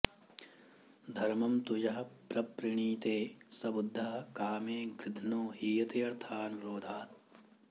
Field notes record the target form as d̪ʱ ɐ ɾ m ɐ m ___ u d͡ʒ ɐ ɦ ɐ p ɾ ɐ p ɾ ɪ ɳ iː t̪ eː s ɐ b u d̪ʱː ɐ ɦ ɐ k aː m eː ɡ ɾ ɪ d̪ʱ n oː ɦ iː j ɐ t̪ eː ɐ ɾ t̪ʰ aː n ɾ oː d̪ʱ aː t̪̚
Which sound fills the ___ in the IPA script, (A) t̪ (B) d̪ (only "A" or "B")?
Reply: A